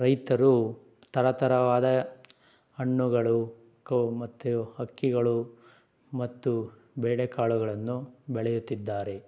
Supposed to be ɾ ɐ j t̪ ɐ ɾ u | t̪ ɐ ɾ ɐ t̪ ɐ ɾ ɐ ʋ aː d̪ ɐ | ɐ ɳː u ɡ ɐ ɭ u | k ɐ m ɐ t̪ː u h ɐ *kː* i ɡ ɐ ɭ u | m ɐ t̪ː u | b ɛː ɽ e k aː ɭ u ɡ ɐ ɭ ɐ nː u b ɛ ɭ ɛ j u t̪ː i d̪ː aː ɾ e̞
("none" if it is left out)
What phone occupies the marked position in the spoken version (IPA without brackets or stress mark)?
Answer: kː